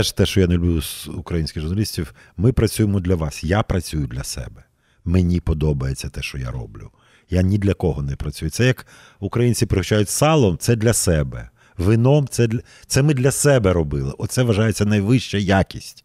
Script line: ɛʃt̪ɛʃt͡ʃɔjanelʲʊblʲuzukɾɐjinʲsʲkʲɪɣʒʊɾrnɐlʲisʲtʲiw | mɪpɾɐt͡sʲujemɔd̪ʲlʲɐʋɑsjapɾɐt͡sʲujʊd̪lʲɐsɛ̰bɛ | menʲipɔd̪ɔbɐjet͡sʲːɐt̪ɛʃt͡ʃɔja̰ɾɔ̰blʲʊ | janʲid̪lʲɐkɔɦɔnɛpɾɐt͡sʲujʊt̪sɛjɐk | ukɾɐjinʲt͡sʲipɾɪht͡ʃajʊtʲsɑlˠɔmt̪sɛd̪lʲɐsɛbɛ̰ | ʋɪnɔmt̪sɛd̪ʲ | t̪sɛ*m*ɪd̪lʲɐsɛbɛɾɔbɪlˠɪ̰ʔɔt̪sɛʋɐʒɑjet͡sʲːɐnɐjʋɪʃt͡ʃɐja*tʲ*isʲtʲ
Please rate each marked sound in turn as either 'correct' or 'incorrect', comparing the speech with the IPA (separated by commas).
correct, incorrect